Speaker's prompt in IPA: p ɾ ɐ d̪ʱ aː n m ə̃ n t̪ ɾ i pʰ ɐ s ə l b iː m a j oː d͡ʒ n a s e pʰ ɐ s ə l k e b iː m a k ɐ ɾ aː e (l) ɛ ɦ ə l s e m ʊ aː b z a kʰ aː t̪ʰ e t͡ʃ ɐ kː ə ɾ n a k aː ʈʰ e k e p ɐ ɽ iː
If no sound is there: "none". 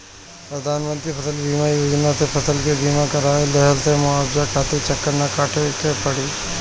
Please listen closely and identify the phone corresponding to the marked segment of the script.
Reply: l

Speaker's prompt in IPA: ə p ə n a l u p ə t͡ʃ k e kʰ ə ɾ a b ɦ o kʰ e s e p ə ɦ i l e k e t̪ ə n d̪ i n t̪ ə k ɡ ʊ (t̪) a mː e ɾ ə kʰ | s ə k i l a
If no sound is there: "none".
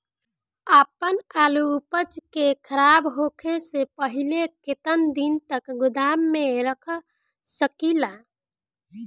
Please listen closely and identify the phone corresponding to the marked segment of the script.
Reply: d̪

